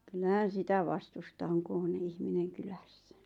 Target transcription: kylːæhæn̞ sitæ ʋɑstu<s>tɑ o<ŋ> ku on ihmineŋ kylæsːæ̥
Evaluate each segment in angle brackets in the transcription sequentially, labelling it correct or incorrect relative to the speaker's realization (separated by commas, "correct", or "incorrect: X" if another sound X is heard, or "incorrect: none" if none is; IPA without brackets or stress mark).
correct, correct